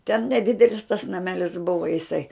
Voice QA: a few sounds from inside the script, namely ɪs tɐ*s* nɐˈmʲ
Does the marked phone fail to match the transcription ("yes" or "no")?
no